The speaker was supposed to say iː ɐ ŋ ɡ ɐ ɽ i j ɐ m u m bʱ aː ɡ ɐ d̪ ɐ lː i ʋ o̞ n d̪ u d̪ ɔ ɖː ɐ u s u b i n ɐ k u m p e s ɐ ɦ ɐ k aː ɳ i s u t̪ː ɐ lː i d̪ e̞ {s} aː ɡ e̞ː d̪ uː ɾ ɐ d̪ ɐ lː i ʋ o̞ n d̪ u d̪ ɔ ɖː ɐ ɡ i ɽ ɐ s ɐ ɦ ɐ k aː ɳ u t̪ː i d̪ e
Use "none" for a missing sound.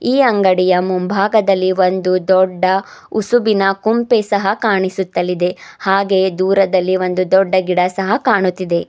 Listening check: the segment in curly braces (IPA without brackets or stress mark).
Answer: h